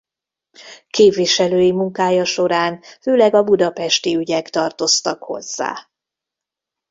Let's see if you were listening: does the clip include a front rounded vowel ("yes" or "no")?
yes